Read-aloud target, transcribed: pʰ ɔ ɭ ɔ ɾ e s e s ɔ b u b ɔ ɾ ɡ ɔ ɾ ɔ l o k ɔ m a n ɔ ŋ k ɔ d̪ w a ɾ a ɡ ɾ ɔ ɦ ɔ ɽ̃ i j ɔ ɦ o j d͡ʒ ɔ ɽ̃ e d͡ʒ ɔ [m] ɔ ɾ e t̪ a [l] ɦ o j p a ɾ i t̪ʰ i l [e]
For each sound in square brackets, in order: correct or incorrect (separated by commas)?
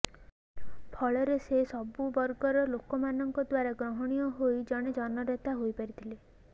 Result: incorrect, incorrect, correct